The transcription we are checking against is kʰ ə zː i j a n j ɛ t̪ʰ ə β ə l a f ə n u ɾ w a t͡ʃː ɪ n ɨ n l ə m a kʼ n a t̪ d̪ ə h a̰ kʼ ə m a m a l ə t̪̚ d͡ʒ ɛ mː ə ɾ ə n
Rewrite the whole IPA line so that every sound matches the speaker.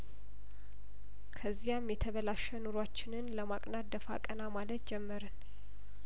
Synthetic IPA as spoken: kʰ ə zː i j a m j ɛ t̪ʰ ə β ə l a ʃ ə n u ɾ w a t͡ʃː ɪ n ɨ n l ə m a kʼ n a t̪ d̪ ə f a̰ kʼ ə n a m a l ə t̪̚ d͡ʒ ɛ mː ə ɾ ə n